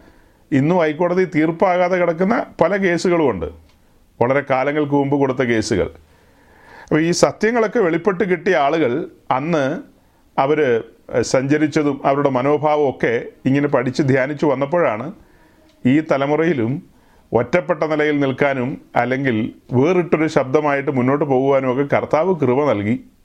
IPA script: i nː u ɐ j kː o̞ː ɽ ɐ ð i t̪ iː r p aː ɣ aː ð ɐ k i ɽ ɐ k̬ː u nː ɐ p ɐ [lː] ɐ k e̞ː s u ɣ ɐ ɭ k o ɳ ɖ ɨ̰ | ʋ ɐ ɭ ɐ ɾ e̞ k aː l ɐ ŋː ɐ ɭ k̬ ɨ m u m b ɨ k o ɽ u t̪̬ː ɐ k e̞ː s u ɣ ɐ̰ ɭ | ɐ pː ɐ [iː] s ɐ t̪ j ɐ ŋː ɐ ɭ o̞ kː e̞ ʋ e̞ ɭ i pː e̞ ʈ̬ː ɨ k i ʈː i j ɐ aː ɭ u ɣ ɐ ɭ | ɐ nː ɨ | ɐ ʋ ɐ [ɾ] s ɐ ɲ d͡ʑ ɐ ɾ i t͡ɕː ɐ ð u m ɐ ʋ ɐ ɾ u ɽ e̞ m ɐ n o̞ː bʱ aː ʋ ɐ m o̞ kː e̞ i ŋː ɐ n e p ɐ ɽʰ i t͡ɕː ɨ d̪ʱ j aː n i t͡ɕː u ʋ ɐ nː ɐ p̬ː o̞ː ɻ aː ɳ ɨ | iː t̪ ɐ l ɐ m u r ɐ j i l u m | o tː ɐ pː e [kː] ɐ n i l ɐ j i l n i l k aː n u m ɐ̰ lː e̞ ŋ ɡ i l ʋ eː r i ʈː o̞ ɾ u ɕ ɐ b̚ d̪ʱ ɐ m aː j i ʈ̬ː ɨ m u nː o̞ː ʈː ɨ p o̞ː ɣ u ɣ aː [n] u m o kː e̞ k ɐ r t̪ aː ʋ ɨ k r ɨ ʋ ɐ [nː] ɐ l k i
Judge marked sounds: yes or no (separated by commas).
no, yes, yes, no, yes, no